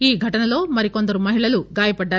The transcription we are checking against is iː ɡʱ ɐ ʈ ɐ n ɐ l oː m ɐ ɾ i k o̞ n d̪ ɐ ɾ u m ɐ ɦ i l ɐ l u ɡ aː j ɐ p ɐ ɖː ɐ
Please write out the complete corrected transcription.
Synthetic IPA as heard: iː ɡʱ ɐ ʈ ɐ n ɐ l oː m ɐ ɾ i k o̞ n d̪ ɐ ɾ u m ɐ ɦ i ɭ ɐ l u ɡ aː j ɐ p ɐ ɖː ɐ